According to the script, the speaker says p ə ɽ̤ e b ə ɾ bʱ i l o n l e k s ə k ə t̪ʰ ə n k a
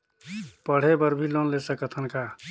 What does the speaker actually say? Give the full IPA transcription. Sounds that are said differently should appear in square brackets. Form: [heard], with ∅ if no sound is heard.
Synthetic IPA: p ə ɽ̤ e b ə ɾ bʱ i l o n l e [∅] s ə k ə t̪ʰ ə n k a